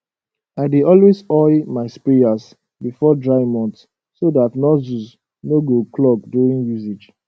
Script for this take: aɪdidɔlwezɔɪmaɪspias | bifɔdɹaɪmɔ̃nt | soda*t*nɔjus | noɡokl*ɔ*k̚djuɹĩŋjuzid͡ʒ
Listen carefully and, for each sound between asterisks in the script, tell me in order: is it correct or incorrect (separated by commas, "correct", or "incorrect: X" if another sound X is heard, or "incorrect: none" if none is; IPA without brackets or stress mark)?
correct, correct